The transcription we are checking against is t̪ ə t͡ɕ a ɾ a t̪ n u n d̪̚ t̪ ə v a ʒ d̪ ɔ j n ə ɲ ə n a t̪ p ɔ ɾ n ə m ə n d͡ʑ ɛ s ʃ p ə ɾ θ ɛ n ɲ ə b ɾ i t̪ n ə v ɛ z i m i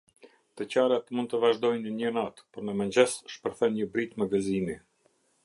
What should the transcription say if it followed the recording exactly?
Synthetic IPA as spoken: t̪ ə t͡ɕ a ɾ a t̪ m u n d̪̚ t̪ ə v a ʒ d̪ ɔ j n ə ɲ ə n a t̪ p ɔ ɾ n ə m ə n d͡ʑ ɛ s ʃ p ə ɾ θ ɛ n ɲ ə b ɾ i t̪ m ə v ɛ z i m i